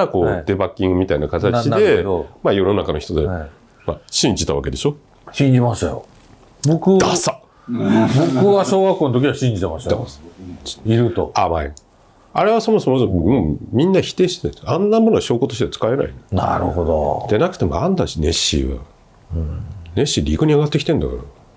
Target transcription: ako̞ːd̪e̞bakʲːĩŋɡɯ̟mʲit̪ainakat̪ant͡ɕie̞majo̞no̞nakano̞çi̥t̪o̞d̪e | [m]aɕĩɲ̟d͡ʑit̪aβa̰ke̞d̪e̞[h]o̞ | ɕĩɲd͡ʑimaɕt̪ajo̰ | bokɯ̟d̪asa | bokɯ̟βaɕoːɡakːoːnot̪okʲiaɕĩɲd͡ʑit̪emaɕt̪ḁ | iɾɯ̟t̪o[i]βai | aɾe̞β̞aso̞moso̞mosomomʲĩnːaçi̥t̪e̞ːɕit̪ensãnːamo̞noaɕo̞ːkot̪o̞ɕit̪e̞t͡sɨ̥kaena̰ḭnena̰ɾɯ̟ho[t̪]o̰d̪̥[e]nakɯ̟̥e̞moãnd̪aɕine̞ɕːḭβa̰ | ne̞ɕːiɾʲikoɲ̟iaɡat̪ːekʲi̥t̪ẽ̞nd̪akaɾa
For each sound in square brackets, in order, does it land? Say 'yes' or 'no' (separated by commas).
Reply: yes, no, no, no, yes